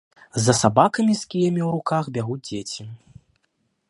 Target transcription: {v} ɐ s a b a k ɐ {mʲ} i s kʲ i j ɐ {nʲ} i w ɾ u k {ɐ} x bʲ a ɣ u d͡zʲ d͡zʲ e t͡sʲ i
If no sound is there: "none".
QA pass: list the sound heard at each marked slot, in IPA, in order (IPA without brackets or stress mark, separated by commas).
z, mʲ, mʲ, a